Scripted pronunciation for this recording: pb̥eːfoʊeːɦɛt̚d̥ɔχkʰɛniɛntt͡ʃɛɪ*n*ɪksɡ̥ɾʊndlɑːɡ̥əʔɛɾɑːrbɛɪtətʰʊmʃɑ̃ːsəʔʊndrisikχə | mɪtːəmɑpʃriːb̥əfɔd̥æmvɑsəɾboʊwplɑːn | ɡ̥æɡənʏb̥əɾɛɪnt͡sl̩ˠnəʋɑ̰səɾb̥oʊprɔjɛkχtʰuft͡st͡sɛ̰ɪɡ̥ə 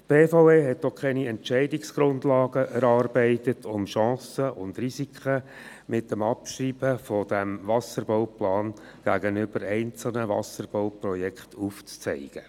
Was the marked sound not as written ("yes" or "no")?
yes